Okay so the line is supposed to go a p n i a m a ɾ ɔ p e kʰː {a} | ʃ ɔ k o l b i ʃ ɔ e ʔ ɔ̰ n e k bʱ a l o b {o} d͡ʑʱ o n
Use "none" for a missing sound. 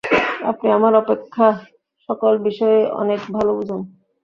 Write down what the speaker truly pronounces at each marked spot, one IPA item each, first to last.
a, u

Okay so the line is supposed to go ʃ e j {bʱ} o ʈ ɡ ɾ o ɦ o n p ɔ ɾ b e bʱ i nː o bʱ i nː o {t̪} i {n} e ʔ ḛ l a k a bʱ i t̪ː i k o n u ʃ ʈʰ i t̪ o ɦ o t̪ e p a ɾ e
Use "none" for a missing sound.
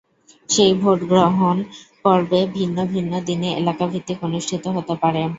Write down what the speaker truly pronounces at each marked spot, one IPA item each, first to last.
bʱ, d̪, n

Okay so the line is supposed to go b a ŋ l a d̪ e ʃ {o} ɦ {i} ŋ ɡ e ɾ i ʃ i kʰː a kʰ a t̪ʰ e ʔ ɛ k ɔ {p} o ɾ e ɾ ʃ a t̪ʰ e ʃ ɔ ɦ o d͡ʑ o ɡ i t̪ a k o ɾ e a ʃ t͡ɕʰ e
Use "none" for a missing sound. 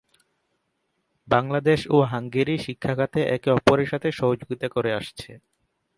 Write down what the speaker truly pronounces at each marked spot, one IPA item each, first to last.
o, a, p

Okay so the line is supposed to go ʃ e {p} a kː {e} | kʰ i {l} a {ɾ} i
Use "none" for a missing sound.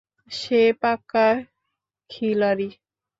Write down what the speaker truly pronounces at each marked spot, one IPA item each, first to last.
p, a, l, ɾ

